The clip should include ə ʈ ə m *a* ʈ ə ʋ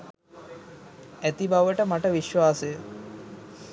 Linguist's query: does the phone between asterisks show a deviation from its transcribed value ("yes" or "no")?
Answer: no